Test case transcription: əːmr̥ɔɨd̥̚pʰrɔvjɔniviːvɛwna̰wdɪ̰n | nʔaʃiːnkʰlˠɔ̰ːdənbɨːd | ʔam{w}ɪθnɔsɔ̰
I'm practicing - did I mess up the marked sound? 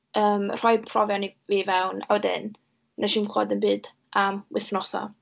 no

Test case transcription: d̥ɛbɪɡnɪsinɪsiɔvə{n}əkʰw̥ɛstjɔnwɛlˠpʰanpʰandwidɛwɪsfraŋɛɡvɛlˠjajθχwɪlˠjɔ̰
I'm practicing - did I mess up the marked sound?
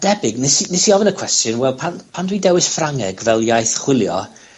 no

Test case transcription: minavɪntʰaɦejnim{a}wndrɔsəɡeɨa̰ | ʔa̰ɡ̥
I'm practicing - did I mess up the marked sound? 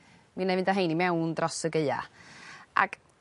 yes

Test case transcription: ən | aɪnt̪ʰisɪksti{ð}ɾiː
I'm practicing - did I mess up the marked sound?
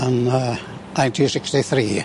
yes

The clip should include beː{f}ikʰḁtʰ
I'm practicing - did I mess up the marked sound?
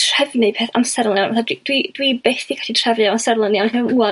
yes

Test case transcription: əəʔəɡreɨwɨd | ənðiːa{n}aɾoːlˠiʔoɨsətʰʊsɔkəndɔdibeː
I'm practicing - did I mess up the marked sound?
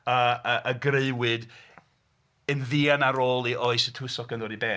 no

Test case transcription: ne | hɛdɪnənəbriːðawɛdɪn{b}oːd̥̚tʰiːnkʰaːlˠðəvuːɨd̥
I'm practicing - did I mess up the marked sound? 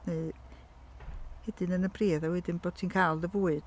no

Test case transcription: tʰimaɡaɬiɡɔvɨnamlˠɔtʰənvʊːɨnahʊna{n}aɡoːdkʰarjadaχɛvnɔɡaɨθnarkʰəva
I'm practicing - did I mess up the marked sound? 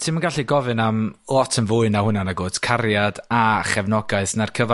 no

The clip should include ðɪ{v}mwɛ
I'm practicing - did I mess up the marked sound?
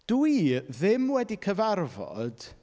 yes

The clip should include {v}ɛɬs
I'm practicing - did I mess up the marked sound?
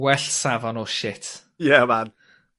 yes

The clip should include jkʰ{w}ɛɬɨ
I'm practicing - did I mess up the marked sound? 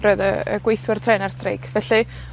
yes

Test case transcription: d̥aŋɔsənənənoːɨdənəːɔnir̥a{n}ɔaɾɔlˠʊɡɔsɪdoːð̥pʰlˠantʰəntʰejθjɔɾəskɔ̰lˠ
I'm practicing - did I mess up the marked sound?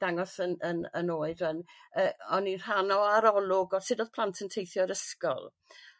no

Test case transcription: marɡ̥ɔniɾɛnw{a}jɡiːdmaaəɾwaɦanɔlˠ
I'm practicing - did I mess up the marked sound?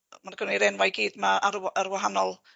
no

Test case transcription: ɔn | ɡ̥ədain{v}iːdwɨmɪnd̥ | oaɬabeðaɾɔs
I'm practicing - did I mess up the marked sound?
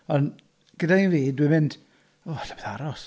no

